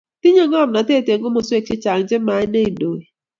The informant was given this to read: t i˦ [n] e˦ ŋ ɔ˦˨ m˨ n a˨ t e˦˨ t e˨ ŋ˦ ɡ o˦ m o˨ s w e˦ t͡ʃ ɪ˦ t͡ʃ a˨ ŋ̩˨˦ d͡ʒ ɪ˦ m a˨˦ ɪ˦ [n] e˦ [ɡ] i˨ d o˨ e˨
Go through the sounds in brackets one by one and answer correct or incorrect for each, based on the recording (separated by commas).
incorrect, correct, incorrect